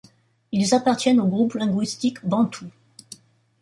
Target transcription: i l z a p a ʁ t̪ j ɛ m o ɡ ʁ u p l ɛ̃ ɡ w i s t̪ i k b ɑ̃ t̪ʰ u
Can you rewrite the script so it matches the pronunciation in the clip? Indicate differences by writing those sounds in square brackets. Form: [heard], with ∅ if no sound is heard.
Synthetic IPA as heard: i l z a p a ʁ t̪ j ɛ [n] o ɡ ʁ u p l ɛ̃ ɡ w i s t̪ i k b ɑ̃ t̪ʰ u